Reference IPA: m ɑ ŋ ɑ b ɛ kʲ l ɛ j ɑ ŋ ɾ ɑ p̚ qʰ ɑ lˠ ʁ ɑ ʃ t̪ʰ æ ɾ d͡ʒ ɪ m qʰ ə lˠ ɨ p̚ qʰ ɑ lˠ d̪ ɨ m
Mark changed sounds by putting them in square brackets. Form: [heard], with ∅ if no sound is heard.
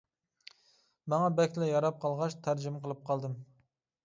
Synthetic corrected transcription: m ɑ ŋ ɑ b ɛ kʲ l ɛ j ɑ [∅] ɾ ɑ p̚ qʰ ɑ lˠ ʁ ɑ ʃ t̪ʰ æ ɾ d͡ʒ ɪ m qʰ ə lˠ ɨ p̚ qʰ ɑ lˠ d̪ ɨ m